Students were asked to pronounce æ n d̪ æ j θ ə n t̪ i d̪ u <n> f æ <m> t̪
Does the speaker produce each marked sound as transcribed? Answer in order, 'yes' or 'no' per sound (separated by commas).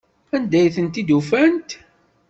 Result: no, no